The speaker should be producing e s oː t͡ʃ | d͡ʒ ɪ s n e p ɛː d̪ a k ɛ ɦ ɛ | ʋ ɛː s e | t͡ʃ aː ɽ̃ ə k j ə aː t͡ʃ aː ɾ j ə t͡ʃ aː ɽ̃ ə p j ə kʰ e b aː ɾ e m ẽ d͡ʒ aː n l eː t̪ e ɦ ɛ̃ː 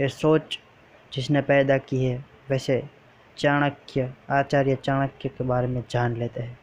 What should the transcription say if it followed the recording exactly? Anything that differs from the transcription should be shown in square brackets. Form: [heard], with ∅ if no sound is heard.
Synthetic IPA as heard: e s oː t͡ʃ | d͡ʒ ɪ s n e p ɛː d̪ a k [i] ɦ ɛ | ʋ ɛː s e | t͡ʃ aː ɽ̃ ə k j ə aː t͡ʃ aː ɾ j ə t͡ʃ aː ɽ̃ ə [k] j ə [k] e b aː ɾ e m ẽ d͡ʒ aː n l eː t̪ e ɦ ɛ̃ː